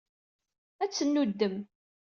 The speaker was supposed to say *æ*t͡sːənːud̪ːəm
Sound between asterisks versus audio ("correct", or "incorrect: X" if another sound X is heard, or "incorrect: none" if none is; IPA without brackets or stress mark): correct